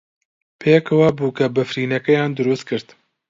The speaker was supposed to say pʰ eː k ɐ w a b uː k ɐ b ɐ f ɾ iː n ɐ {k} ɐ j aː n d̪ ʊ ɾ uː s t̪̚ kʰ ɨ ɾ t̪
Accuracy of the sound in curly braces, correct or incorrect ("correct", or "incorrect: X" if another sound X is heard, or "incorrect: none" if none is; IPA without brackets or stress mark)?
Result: correct